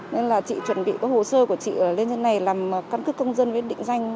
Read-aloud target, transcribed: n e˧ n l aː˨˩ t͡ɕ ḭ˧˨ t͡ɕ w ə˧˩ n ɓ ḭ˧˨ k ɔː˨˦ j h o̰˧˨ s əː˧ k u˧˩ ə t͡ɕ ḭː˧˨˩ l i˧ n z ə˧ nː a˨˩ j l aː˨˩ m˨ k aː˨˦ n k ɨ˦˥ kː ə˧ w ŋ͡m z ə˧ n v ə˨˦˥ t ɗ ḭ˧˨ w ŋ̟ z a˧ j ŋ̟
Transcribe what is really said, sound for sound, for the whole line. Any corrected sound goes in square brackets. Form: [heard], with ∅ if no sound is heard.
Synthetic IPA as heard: n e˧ n l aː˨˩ t͡ɕ ḭ˧˨ t͡ɕ w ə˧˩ n ɓ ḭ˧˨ k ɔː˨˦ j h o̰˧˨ s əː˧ k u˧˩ ə t͡ɕ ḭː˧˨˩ l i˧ n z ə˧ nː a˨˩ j l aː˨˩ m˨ k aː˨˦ n k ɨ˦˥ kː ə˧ w ŋ͡m z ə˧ n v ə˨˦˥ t ɗ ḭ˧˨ [∅] ŋ̟ z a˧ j ŋ̟